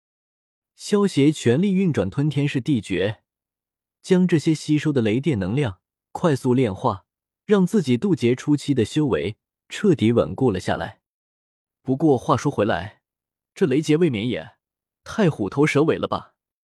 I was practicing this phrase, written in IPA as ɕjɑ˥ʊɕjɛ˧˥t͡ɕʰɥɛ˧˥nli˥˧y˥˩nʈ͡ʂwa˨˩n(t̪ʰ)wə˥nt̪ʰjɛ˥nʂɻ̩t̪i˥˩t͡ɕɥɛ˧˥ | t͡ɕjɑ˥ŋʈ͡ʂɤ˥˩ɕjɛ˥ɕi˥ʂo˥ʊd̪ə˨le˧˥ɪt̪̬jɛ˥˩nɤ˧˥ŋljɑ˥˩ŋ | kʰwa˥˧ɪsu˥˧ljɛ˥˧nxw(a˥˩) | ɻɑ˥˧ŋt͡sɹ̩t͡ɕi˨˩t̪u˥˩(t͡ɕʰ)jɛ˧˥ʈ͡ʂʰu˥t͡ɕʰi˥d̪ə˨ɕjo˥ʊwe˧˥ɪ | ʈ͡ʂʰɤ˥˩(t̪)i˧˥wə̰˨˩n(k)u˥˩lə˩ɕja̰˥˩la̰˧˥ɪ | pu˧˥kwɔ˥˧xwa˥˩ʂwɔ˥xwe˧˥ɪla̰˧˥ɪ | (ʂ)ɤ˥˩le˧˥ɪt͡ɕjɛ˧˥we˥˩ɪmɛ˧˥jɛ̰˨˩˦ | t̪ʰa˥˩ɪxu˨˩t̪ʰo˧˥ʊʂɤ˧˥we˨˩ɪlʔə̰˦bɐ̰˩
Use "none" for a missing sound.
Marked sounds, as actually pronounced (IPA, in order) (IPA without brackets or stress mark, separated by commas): t̪ʰ, a˥˩, t͡ɕ, t̪, k, ʈ͡ʂ